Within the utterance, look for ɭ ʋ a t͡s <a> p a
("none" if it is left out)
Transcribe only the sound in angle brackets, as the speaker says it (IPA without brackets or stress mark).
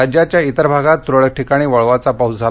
a